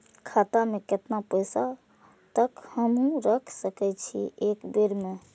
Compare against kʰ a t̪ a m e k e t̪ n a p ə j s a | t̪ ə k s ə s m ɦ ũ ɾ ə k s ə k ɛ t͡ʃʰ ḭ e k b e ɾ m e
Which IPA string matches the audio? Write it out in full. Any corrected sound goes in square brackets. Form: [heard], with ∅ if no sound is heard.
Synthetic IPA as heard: kʰ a t̪ a m e k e t̪ n a p ə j s a | t̪ ə k [h] ə [∅] m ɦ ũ ɾ ə [kʰ] s ə k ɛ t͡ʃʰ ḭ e k b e ɾ m e